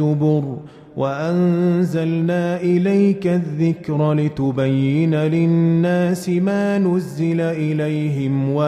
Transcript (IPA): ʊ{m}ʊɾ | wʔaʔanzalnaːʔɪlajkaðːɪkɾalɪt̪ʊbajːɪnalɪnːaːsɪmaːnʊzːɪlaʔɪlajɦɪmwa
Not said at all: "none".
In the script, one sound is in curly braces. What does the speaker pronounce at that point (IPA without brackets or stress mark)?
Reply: b